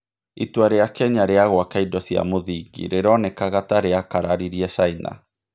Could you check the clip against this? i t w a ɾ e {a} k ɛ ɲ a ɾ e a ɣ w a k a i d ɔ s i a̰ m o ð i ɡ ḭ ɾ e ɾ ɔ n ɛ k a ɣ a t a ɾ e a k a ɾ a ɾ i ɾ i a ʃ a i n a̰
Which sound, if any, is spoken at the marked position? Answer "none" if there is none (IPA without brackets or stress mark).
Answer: a